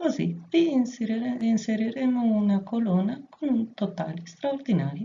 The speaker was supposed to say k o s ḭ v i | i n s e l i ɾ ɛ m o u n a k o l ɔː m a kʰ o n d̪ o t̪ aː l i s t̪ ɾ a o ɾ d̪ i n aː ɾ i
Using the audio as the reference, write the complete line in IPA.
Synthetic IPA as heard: k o z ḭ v i | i n s e ɾ i ɾ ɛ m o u n a k o l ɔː n a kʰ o n t̪ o t̪ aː l i s t̪ ɾ a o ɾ d̪ i n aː ɾ i